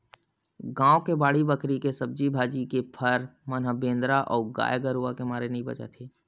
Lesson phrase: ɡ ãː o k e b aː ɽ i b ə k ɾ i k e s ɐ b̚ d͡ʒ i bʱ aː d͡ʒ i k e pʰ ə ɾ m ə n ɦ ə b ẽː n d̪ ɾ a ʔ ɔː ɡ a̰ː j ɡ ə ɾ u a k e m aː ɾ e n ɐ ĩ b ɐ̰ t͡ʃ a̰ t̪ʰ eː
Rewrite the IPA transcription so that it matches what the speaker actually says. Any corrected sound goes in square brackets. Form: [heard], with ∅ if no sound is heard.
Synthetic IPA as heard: ɡ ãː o k e b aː ɽ i b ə k ɾ i k e s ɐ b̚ d͡ʒ i bʱ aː d͡ʒ i k e pʰ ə ɾ m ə n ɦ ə b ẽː n d̪ ɾ a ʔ ɔː ɡ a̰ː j ɡ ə ɾ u a k e m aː ɾ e n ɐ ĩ b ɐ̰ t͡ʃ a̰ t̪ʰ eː